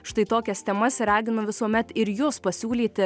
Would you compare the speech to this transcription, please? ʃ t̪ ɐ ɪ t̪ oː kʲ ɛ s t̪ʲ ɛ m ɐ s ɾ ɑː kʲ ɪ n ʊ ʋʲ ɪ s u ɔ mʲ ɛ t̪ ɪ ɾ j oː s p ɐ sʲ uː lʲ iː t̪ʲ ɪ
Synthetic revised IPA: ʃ t̪ ɐ ɪ t̪ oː kʲ ɛ s t̪ʲ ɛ m ɐ s ɾ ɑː ɡʲ ɪ n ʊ ʋʲ ɪ s u ɔ mʲ ɛ t̪ ɪ ɾ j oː s p ɐ sʲ uː lʲ iː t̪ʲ ɪ